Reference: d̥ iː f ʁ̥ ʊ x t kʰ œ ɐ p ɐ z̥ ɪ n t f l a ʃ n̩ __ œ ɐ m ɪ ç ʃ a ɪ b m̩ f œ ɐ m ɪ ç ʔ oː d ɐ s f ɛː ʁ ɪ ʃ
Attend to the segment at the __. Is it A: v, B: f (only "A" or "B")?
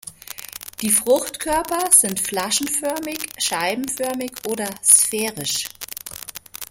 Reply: B